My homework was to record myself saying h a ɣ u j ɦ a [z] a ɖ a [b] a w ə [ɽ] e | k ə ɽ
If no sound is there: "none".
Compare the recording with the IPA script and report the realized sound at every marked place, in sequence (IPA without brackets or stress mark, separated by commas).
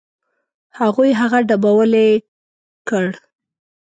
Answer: ɣ, b, l